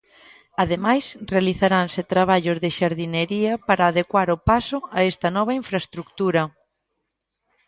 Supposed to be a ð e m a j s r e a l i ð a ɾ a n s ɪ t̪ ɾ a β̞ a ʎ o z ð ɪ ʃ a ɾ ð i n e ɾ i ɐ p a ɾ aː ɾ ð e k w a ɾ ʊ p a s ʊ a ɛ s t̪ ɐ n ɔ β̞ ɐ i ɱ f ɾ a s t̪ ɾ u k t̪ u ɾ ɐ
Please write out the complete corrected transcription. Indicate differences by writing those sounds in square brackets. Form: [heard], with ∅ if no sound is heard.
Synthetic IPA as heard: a ð e m a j s r e a l i [θ] a ɾ a n s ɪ t̪ ɾ a β̞ a ʎ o z ð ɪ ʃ a ɾ ð i n e ɾ i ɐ p a ɾ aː [∅] ð e k w a ɾ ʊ p a s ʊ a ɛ s t̪ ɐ n ɔ β̞ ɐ i ɱ f ɾ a s t̪ ɾ u k t̪ u ɾ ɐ